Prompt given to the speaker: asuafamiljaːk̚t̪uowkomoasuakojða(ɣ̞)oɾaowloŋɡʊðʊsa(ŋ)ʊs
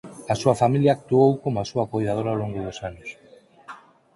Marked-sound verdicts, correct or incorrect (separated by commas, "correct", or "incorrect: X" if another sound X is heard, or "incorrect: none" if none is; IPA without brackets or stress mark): incorrect: ð̞, incorrect: n